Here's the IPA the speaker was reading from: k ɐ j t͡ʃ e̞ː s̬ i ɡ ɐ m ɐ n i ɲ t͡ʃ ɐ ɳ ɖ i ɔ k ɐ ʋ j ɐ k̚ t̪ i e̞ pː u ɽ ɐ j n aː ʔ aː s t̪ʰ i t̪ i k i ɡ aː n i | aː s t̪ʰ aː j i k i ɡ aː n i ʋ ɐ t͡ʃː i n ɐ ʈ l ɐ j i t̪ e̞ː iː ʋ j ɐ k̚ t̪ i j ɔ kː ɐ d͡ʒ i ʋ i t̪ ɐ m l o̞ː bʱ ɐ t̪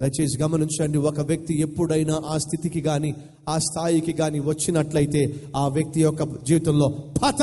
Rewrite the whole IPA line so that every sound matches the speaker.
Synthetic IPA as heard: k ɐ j t͡ʃ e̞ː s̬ i ɡ ɐ m ɐ n i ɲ t͡ʃ ɐ ɳ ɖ i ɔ k ɐ ʋ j ɐ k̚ t̪ i e̞ pː u ɽ ɐ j n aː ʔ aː s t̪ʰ i t̪ i k i ɡ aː n i | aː s t̪ʰ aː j i k i ɡ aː n i ʋ ɐ t͡ʃː i n ɐ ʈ l ɐ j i t̪ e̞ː aː ʋ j ɐ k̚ t̪ i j ɔ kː ɐ d͡ʒ iː ʋ i t̪ ɐ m l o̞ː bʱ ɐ t̪